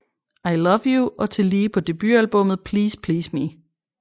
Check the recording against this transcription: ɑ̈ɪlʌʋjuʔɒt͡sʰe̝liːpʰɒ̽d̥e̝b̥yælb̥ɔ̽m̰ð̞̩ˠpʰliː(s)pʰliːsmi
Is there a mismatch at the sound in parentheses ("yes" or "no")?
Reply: no